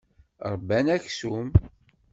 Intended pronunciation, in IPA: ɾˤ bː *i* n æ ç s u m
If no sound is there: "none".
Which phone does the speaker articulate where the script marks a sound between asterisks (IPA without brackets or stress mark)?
æ